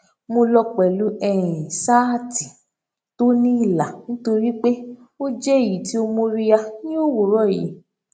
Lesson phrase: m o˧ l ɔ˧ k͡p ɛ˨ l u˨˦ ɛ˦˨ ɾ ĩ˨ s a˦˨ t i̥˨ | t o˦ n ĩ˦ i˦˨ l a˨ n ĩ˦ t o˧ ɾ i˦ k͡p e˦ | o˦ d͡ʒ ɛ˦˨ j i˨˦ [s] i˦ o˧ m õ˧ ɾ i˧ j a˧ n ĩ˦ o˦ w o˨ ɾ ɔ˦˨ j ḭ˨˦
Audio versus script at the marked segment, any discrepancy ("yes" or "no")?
yes